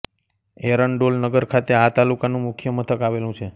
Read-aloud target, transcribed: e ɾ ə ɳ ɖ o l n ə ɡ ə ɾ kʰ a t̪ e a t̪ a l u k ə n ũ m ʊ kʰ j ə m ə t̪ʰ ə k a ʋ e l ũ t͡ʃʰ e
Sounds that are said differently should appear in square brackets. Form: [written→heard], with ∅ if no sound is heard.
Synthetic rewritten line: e ɾ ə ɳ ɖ o l n ə ɡ ə ɾ kʰ a t̪ e a t̪ a l u k [ə→a] n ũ m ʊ kʰ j ə m ə t̪ʰ ə k a ʋ e l ũ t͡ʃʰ e